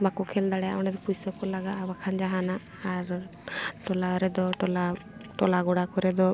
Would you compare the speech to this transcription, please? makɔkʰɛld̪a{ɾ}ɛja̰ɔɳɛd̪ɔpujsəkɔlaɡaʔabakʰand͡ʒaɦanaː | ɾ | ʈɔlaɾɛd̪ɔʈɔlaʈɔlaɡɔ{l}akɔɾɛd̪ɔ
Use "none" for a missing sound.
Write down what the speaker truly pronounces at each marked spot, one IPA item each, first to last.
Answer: ɽ, ɽ

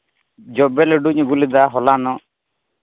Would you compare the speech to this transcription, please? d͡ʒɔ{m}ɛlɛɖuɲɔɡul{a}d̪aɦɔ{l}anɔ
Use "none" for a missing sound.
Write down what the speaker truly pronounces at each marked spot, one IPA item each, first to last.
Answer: b, i, l

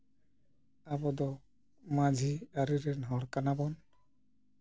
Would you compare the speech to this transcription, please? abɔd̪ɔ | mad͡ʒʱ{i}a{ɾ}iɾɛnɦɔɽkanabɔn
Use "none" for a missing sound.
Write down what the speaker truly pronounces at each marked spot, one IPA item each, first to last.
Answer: i, ɾ

